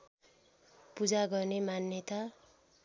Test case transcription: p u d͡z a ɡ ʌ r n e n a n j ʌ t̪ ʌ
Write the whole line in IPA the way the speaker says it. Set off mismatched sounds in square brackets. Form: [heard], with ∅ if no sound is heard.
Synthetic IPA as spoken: p u d͡z a ɡ ʌ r n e [m] a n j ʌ t̪ [a]